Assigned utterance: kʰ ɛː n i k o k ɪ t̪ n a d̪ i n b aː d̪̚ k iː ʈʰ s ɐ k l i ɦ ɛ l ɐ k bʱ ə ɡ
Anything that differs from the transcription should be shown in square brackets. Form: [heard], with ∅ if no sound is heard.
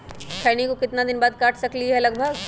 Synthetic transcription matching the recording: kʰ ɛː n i k o k ɪ t̪ n a d̪ [ɪ] n b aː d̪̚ k [aː] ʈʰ s ɐ k l i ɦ ɛ l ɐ [ɡ] bʱ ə ɡ